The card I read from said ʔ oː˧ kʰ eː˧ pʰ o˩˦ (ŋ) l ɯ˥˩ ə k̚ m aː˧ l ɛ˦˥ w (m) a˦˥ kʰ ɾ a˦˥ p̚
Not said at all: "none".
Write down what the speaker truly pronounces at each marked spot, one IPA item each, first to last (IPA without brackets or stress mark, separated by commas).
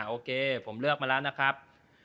m, n